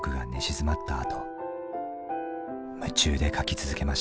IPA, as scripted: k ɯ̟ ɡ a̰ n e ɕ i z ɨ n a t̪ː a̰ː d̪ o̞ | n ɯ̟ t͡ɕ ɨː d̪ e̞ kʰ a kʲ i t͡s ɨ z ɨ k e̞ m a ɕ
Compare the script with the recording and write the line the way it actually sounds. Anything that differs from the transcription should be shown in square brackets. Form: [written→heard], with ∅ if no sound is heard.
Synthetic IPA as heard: k ɯ̟ ɡ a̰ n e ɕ i z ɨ [n→m] a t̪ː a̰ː [d̪→t̪] o̞ | [n→m] ɯ̟ t͡ɕ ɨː d̪ e̞ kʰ a kʲ i t͡s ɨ z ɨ k e̞ m a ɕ